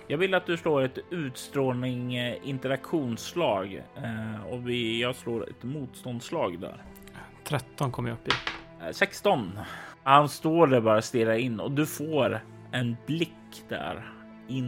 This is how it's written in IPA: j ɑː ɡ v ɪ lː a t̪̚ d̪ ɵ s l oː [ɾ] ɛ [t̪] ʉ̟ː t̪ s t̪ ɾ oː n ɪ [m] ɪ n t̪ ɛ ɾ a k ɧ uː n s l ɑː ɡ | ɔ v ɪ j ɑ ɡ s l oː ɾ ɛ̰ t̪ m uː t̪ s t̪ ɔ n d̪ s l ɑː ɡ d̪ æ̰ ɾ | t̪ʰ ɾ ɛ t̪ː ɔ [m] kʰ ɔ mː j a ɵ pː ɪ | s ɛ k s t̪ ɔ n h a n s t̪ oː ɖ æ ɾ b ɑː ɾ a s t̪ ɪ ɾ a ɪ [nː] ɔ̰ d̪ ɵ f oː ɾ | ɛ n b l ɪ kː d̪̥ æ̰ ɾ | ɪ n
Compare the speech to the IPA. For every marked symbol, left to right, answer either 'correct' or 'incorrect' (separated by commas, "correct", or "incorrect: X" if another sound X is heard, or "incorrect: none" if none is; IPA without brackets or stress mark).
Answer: correct, correct, incorrect: ŋ, incorrect: n, correct